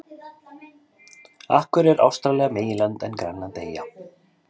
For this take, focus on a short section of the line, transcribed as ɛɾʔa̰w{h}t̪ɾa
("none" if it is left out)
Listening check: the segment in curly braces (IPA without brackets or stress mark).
s